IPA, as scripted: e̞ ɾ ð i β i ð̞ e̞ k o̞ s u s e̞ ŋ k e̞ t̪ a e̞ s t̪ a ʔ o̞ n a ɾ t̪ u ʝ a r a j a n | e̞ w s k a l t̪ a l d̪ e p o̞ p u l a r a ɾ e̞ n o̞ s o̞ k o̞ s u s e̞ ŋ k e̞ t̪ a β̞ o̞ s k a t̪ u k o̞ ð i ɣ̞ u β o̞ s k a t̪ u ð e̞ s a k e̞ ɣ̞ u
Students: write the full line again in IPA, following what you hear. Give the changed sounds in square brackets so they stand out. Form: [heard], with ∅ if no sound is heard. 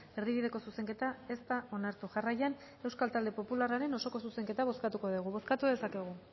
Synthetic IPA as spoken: e̞ ɾ ð i β i ð̞ e̞ k o̞ s u s e̞ ŋ k e̞ t̪ a e̞ s t̪ a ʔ o̞ n a ɾ t̪ u ʝ a r a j a n | e̞ w s k a l t̪ a l d̪ e p o̞ p u l a r a ɾ e̞ n o̞ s o̞ k o̞ s u s e̞ ŋ k e̞ t̪ a β̞ o̞ s k a t̪ u k o̞ ð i ɣ̞ u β o̞ s k a t̪ u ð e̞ s a k e̞ ɣ̞ u

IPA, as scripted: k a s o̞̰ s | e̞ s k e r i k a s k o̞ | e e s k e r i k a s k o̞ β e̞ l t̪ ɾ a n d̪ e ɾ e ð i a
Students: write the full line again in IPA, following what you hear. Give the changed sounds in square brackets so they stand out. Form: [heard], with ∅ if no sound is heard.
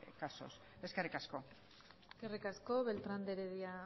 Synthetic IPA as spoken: k a s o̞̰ s | e̞ s k e r i k a s k o̞ | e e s k e r i k a s k o̞ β e̞ l t̪ ɾ a n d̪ e ɾ e ð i a

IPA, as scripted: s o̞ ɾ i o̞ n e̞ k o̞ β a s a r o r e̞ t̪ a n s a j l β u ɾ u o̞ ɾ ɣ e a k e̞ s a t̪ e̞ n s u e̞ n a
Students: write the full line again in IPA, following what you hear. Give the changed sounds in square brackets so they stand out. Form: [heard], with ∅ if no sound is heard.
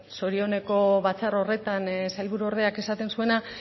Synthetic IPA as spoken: s o̞ ɾ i o̞ n e̞ k o̞ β a [t͡s] a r o r e̞ t̪ a n s a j l β u ɾ u o̞ ɾ [ð] e a k e̞ s a t̪ e̞ n s u e̞ n a

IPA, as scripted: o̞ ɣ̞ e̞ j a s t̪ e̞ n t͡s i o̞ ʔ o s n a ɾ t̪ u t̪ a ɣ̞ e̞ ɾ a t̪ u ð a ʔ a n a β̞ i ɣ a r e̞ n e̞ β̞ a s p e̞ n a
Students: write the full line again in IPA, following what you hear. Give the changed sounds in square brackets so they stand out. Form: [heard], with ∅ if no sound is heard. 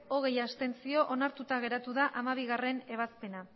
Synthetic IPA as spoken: o̞ ɣ̞ e̞ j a s t̪ e̞ n t͡s i o̞ ʔ o [∅] n a ɾ t̪ u t̪ a ɣ̞ e̞ ɾ a t̪ u ð a ʔ a [m] a β̞ i ɣ a r e̞ n e̞ β̞ a s p e̞ n a

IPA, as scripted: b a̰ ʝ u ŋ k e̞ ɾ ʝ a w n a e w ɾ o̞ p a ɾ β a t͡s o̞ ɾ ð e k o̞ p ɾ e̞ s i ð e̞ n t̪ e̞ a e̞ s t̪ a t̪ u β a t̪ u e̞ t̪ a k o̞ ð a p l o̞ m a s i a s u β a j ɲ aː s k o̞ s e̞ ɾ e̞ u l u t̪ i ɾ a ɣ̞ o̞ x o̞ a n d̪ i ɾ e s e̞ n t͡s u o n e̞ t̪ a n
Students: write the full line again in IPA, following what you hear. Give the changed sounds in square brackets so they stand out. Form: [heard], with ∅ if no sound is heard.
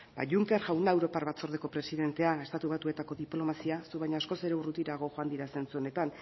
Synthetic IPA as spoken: b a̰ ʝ u ŋ k e̞ ɾ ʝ a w n a e w ɾ o̞ p a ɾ β a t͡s o̞ ɾ ð e k o̞ p ɾ e̞ s i ð e̞ n t̪ e̞ a e̞ s t̪ a t̪ u β a t̪ u e̞ t̪ a k o̞ ð [i] p l o̞ m a s i a s u β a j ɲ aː s k o̞ s e̞ ɾ e̞ u [r] u t̪ i ɾ a ɣ̞ o̞ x o̞ a n d̪ i ɾ [a] s e̞ n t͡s u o n e̞ t̪ a n

